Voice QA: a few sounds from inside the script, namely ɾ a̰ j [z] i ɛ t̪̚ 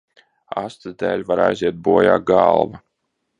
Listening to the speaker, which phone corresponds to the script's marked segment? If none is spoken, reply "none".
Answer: z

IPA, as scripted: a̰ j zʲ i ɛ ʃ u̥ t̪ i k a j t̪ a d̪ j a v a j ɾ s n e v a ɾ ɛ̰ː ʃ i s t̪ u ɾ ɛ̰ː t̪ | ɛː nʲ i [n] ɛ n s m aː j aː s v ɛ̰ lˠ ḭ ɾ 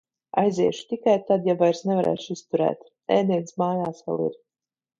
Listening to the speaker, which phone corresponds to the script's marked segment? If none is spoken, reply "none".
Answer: none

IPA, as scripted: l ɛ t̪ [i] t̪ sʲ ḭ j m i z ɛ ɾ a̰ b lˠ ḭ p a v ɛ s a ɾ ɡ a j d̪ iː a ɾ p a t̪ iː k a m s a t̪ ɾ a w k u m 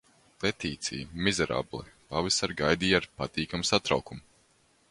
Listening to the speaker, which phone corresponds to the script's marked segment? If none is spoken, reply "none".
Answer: iː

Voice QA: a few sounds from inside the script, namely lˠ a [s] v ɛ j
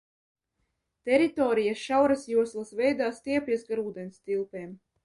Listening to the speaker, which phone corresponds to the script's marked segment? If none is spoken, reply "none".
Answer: s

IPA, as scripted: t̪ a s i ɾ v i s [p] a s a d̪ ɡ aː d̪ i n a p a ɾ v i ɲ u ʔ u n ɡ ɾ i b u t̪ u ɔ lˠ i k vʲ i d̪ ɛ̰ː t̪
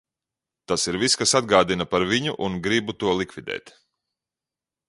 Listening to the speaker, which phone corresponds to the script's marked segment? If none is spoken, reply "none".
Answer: k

